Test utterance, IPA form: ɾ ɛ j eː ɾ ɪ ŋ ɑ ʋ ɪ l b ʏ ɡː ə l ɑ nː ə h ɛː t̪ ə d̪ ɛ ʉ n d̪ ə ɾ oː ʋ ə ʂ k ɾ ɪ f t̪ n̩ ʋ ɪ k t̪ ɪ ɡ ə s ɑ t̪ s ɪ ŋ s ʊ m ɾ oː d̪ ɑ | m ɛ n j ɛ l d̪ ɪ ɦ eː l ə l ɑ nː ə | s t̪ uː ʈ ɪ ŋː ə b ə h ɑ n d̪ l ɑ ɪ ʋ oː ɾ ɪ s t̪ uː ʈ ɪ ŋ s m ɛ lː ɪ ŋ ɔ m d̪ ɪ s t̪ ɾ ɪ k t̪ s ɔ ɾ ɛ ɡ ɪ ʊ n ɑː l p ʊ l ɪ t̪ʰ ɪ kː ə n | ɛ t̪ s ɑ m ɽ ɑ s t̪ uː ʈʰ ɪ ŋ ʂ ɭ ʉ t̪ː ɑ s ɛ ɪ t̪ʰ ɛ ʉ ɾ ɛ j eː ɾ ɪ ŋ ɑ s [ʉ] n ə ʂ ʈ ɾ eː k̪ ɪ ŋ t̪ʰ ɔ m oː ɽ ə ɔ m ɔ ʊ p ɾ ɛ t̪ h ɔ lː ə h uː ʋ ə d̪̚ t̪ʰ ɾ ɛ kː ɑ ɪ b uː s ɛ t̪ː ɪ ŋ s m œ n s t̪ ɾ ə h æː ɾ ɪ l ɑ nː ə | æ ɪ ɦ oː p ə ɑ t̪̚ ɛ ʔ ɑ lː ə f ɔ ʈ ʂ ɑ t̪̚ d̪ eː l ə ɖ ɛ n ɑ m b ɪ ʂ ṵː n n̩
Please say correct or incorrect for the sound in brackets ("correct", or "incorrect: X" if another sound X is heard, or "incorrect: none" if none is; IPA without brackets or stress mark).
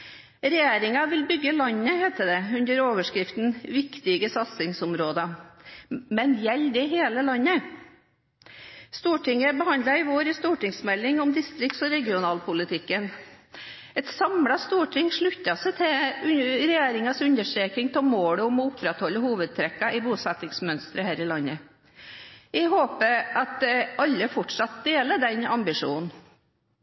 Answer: correct